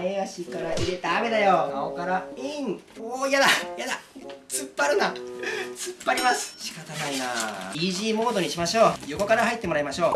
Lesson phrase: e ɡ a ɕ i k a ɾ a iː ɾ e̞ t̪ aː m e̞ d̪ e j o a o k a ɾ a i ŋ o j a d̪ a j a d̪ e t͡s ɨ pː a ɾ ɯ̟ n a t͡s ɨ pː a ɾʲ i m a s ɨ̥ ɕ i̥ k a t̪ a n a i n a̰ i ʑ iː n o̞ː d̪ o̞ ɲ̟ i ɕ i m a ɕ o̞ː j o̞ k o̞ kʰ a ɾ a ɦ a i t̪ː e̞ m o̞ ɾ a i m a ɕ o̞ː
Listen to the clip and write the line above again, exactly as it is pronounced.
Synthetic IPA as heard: e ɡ a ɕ i k a ɾ a i ɾ e̞ t̪ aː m e̞ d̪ a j o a o k a ɾ a i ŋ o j a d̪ a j a d̪ a t͡s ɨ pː a ɾ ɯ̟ n a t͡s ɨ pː a ɾʲ i m a s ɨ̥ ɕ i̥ k a t̪ a n a i n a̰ i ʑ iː m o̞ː d̪ o̞ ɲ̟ i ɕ i m a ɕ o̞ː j o̞ k o̞ k a ɾ a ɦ a i t̪ː e̞ m o̞ ɾ a i m a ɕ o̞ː

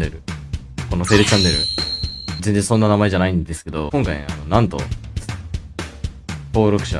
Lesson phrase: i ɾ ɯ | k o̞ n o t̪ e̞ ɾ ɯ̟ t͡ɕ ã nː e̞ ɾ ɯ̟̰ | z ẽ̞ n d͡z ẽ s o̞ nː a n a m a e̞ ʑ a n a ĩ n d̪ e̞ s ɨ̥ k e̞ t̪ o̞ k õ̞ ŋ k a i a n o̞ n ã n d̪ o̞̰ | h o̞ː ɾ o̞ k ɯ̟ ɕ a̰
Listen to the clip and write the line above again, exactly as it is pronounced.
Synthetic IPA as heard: e ɾ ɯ | k o̞ n o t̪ e̞ ɾ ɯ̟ t͡ɕ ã nː e̞ ɾ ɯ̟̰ | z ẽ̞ n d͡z ẽ s o̞ nː a n a m a e̞ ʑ a n a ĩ n d̪ e̞ s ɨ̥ k e̞ d̪ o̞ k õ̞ ŋ k a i a n o̞ n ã n t̪ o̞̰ | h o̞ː ɾ o̞ k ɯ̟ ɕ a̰

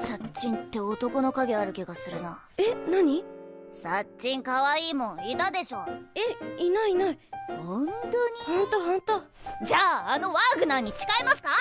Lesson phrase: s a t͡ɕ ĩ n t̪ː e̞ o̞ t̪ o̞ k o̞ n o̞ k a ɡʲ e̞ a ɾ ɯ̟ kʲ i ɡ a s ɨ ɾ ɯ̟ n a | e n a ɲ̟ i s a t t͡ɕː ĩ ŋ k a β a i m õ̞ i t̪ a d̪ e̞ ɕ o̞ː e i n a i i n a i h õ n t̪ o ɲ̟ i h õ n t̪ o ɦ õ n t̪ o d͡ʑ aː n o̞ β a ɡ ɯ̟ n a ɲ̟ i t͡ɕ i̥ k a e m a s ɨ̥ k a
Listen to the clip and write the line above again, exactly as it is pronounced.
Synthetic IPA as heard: s a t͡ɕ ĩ n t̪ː e̞ o̞ t̪ o̞ k o̞ n o̞ k a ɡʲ e̞ a ɾ ɯ̟ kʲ i ɡ a s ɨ ɾ ɯ̟ n a | e n a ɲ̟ i s a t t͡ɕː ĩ ŋ k a β a iː m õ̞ i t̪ a d̪ e̞ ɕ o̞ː e i n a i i n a i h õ n t̪ o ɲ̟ i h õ n t̪ o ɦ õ n t̪ o d͡ʑ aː n o̞ β a ɡ ɯ̟ n a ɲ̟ i t͡ɕ i̥ k a i m a s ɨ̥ k a

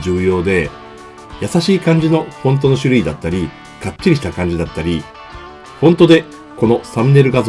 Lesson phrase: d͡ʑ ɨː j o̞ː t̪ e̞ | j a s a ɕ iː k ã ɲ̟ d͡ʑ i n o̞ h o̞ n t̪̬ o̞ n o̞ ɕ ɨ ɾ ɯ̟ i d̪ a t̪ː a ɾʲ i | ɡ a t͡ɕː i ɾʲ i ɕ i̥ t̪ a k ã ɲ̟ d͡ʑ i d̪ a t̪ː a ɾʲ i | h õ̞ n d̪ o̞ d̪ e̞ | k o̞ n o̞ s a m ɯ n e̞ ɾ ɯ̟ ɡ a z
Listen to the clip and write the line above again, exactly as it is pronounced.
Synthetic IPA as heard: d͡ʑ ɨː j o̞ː d̪ e̞ | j a s a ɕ iː k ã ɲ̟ d͡ʑ i n o̞ h õ̞ n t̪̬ o̞ n o̞ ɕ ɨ ɾ ɯ̟ i d̪ a t̪ː a ɾʲ i | k a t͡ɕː i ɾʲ i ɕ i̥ t̪ a k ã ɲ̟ d͡ʑ i d̪ a t̪ː a ɾʲ i | h õ̞ n t̪ o̞ d̪ e̞ | k o̞ n o̞ s a m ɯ n e̞ ɾ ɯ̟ ɡ a z

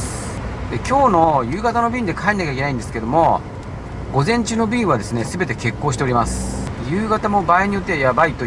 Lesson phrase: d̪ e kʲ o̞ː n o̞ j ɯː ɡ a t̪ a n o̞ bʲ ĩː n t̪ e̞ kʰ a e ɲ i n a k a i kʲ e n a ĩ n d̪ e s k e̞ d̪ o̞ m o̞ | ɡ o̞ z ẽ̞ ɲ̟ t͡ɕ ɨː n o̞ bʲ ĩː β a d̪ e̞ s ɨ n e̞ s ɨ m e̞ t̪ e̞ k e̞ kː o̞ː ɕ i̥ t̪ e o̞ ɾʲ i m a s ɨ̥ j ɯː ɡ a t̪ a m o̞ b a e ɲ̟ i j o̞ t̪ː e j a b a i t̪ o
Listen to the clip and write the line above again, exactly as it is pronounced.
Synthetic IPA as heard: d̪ e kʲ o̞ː n o̞ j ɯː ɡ a t̪ a n o̞ bʲ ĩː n d̪ e̞ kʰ a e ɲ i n a k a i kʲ e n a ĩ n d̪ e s k e̞ d̪ o̞ m o̞ | ɡ o̞ z ẽ̞ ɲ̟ t͡ɕ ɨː n o̞ bʲ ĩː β a d̪ e̞ s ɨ n e̞ s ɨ b e̞ t̪ e̞ k e̞ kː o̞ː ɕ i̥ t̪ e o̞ ɾʲ i m a s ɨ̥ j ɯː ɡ a t̪ a m o̞ b a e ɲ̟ i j o̞ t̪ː e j a b a i t̪ o

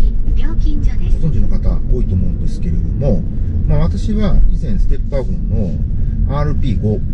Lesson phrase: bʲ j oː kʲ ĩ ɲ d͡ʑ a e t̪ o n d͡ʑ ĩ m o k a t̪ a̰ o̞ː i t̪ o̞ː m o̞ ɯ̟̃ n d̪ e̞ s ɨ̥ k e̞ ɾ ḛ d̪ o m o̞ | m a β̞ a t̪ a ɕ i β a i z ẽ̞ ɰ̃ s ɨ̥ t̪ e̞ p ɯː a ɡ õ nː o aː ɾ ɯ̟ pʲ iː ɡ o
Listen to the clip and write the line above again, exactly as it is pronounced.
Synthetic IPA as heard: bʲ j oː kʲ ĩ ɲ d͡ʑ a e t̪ o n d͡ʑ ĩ n o k a t̪ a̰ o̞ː i t̪ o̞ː m o̞ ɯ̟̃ n d̪ e̞ s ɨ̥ k e̞ ɾ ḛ d̪ o m o̞ | m a β̞ a t̪ a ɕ i β a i z ẽ̞ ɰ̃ s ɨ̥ t̪ e̞ p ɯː a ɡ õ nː o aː ɾ ɯ̟ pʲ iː ɡ o

